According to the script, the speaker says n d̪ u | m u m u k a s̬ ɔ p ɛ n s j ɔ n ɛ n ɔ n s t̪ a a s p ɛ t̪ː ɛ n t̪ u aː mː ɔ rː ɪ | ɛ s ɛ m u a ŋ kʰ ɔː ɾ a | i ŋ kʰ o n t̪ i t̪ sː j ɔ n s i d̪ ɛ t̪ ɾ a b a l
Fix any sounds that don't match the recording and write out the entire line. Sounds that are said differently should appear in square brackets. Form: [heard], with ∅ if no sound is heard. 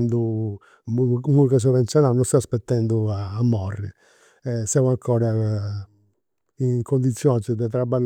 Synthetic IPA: n d̪ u | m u m u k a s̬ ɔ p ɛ n s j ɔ n [a] n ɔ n s t̪ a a s p ɛ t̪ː ɛ n [d̪] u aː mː ɔ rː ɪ | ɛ s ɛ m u a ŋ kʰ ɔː ɾ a | i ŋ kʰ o n [d̪] i t̪ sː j ɔ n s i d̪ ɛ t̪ ɾ a b a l

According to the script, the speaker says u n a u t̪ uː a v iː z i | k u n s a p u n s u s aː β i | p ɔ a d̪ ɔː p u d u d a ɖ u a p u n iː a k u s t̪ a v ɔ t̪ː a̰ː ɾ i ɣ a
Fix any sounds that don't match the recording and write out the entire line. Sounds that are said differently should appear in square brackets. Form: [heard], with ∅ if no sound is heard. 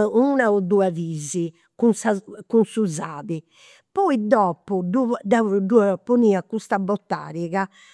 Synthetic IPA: u n a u [d̪] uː a v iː z i | k u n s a [k] u n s u [z] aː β i | p ɔ [i] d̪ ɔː p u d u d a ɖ u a p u n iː a k u s t̪ a [b] ɔ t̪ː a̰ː ɾ i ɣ a

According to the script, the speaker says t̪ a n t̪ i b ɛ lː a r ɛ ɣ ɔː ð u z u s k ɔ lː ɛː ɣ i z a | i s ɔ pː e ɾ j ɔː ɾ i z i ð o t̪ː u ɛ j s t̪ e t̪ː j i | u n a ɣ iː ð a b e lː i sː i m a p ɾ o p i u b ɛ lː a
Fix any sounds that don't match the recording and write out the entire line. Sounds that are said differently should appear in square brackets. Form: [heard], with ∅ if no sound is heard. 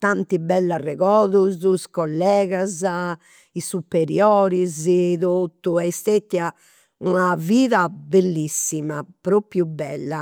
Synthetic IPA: t̪ a n t̪ i b ɛ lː a r ɛ ɣ ɔː ð u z u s k ɔ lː ɛː ɣ [a] z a | i s [u] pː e ɾ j ɔː ɾ i z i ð o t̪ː u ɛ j s t̪ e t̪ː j [a] | u n a [v] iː ð a b e lː i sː i m a p ɾ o p [j] u b ɛ lː a

